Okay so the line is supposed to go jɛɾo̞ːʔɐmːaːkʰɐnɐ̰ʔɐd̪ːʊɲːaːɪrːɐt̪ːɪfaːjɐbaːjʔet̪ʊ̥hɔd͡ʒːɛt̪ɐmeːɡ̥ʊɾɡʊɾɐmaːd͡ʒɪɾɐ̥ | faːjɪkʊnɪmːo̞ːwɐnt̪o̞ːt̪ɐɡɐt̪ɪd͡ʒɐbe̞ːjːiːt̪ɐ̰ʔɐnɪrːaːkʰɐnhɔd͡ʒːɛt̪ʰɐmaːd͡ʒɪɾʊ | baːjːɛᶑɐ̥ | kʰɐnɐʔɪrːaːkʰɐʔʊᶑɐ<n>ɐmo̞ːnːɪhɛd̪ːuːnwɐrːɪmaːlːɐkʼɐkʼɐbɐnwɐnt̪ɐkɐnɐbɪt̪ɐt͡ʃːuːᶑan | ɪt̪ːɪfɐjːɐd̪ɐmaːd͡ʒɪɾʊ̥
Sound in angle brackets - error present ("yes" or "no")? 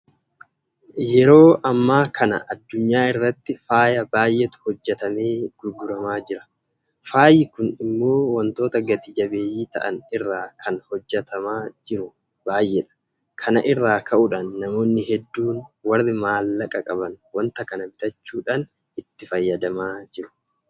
yes